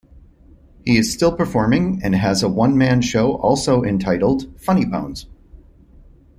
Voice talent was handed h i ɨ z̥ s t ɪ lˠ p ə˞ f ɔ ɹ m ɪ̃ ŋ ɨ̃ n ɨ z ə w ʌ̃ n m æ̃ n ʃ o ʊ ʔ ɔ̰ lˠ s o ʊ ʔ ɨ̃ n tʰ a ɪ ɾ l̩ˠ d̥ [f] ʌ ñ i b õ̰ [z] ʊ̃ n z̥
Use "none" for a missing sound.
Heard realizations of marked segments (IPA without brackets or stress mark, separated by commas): f, none